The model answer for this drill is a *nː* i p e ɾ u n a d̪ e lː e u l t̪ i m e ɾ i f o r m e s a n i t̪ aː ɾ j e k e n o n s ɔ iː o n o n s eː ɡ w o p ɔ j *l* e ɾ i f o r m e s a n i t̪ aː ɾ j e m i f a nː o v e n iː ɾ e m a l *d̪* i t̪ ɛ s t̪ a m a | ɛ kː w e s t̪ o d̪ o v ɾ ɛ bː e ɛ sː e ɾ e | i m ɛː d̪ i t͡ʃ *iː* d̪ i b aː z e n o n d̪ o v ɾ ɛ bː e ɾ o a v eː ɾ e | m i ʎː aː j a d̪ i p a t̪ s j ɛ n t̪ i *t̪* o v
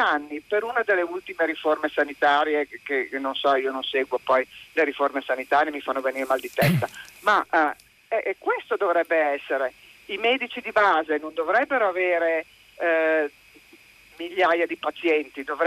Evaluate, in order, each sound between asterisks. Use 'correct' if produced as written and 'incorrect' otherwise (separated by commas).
correct, correct, correct, incorrect, incorrect